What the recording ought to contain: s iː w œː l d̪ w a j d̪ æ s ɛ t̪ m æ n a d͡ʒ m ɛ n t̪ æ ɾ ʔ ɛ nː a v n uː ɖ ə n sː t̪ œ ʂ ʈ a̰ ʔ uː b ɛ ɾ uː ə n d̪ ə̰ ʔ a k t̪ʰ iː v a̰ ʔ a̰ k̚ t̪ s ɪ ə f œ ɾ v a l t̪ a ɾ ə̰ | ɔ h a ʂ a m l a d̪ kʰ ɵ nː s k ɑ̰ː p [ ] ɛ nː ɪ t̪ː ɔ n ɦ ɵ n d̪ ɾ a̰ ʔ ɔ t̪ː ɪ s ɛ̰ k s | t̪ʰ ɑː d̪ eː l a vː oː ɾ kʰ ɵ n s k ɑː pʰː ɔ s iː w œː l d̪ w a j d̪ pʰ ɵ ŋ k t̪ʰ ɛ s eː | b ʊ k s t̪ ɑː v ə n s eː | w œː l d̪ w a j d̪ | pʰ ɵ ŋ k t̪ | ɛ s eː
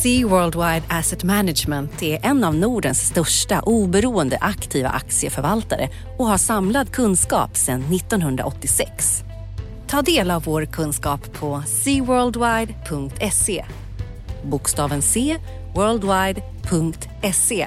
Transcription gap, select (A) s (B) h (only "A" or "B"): A